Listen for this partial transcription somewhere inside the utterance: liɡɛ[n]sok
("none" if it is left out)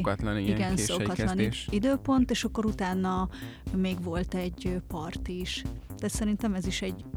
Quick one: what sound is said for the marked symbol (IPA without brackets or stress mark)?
n